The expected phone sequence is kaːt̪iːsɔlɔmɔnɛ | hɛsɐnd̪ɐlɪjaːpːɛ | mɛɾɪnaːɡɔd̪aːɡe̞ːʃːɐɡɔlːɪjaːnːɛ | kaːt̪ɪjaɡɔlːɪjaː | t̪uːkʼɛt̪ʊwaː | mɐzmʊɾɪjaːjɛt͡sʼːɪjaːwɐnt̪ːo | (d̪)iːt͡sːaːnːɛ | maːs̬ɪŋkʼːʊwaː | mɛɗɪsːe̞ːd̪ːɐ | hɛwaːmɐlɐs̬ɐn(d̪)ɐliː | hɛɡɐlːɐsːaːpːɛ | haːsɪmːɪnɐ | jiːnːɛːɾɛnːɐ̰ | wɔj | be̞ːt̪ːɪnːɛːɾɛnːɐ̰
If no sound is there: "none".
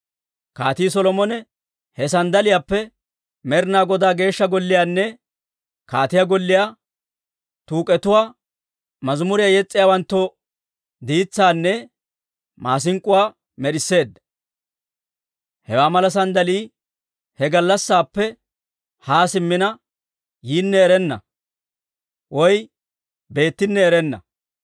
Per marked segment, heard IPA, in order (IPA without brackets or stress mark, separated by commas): d̪, d̪